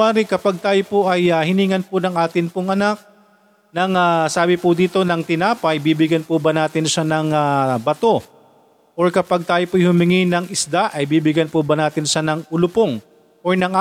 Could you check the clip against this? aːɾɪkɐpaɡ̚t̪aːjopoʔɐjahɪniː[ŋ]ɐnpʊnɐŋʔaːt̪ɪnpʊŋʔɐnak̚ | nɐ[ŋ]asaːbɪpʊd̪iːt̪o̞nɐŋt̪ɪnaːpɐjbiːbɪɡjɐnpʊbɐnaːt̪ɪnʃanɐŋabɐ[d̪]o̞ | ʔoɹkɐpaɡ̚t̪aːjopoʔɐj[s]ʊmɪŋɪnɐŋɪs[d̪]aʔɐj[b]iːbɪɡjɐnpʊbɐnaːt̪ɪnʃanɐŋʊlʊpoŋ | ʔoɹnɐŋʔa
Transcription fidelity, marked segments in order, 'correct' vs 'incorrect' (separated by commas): correct, correct, incorrect, incorrect, correct, correct